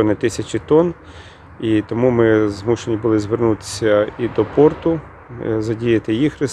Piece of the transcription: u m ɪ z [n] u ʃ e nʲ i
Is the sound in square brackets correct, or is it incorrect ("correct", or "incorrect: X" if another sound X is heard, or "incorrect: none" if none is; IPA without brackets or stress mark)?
incorrect: m